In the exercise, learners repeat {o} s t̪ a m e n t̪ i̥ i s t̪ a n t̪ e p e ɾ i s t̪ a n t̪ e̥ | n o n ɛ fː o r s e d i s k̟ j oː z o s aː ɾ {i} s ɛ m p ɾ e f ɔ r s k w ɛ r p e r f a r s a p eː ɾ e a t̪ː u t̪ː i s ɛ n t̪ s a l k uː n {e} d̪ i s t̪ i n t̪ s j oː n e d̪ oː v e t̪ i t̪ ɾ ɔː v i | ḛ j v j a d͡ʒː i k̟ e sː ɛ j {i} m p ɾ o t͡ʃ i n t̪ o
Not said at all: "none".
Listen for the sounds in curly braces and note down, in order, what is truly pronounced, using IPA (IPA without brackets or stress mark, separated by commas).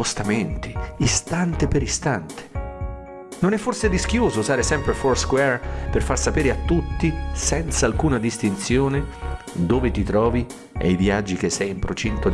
o, e, a, i